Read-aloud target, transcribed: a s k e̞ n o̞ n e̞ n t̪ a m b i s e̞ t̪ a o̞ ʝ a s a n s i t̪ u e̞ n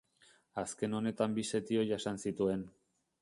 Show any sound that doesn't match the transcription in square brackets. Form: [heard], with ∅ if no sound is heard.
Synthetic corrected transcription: a s k e̞ n o̞ n e̞ [∅] t̪ a m b i s e̞ t̪ [i] o̞ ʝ a s a n s i t̪ u e̞ n